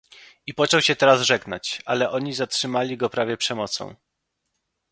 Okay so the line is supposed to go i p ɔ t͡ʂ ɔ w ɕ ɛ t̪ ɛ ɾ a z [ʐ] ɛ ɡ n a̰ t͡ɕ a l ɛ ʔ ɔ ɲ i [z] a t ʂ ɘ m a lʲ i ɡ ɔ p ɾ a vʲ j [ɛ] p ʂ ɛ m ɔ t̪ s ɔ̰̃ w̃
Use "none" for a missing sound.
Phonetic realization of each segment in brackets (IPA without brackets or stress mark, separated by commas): ʐ, z, ɛ